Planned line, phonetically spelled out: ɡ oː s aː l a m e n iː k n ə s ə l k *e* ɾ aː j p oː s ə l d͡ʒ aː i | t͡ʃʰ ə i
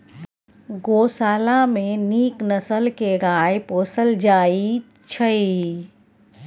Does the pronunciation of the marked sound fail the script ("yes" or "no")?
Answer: no